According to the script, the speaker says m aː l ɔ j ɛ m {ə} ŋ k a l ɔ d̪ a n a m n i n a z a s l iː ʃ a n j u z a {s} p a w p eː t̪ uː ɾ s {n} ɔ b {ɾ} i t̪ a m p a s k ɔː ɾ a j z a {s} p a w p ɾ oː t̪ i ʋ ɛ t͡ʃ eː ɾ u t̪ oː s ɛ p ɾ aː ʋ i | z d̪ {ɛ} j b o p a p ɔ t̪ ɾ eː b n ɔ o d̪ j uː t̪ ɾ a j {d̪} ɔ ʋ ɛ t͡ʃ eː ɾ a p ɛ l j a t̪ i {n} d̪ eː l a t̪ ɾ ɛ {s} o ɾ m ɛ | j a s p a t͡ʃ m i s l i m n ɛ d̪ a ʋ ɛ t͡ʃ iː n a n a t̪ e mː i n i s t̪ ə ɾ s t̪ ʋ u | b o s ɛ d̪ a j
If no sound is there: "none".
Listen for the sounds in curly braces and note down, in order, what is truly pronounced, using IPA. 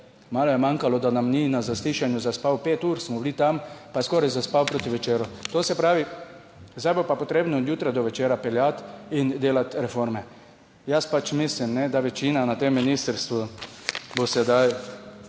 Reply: a, s, m, l, s, a, d̪, n, f

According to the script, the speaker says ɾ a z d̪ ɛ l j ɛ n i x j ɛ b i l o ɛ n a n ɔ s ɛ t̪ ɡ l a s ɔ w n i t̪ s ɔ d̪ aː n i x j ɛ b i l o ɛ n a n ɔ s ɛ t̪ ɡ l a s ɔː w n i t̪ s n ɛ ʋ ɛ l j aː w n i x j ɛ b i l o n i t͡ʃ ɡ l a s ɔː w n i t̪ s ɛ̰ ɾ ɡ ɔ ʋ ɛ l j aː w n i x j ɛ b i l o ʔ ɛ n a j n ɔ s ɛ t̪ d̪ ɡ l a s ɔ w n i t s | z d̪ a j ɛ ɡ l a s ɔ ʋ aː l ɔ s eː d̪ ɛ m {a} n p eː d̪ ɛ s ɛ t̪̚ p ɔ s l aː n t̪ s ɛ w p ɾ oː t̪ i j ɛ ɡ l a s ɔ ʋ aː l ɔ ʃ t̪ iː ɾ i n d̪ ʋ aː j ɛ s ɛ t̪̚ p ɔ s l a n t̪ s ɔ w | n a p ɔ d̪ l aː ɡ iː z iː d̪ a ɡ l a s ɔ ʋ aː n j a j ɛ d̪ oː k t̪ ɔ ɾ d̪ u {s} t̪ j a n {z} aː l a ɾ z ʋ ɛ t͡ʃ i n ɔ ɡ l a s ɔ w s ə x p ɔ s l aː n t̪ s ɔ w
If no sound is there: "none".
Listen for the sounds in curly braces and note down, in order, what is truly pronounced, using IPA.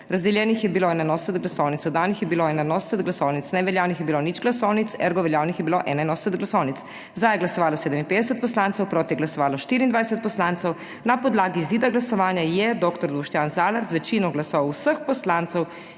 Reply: i, ʃ, z

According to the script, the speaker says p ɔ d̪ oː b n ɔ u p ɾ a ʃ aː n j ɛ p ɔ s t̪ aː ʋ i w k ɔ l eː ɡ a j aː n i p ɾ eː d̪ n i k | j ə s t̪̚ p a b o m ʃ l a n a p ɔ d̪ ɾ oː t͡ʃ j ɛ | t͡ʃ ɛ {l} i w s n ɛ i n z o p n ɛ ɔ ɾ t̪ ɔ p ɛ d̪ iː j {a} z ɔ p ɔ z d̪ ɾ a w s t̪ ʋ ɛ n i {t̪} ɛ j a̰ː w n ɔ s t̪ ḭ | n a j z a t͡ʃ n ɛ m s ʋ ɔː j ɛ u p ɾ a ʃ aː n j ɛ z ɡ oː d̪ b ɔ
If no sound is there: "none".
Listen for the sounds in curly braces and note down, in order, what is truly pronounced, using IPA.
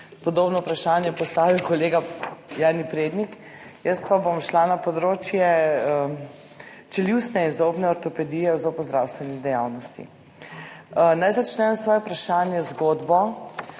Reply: l, ɛ, d̪

